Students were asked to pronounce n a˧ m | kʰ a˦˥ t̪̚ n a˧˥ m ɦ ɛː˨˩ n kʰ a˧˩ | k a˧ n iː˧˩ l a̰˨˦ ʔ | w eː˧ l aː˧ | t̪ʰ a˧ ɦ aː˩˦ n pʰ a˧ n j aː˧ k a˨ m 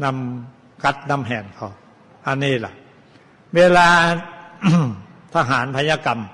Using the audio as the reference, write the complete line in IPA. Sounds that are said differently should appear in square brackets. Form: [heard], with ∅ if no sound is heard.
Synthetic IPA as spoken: n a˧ m | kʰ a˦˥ t̪̚ n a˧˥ m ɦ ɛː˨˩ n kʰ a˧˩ | [ʔ] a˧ n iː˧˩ l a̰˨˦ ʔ | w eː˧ l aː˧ | t̪ʰ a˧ ɦ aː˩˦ n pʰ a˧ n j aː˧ k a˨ m